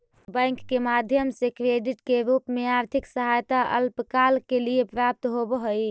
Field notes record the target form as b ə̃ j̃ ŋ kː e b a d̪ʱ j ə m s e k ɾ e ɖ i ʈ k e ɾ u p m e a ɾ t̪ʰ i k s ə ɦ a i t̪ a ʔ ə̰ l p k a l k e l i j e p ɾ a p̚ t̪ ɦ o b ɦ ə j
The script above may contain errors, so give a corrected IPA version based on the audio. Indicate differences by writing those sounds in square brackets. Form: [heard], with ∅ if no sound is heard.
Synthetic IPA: b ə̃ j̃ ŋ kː e [m] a d̪ʱ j ə m s e k ɾ e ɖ i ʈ k e ɾ u p m e a ɾ t̪ʰ i k s ə ɦ a [j] t̪ a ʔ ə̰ l p k a l k e l i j e p ɾ a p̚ t̪ ɦ o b ɦ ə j